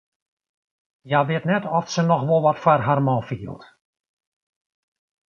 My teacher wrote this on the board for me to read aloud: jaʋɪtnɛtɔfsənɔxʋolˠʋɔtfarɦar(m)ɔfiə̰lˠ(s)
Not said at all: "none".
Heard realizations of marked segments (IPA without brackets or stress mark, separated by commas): m, t